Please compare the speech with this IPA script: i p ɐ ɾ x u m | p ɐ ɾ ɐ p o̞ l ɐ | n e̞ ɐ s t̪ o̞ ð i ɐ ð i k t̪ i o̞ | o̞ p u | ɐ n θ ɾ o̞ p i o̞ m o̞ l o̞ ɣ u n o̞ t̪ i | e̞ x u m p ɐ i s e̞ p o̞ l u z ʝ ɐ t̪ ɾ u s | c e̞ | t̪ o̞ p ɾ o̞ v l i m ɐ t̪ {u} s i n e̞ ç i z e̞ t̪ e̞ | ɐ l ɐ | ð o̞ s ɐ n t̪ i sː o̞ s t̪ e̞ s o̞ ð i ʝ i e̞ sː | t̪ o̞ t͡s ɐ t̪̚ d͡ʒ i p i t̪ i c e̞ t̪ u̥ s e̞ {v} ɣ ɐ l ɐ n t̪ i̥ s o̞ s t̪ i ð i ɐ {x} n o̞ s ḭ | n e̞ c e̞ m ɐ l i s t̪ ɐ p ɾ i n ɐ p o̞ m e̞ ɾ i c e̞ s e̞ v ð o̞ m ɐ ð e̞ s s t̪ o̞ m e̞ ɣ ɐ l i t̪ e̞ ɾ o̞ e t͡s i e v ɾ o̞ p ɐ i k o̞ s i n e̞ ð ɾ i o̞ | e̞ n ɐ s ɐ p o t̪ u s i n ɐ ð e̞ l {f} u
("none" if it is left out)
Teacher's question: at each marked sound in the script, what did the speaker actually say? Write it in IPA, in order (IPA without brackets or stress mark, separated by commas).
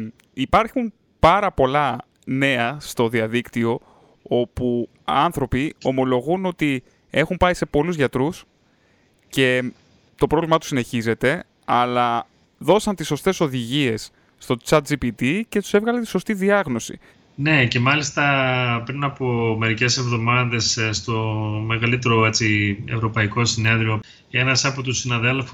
u, v, ɣ, f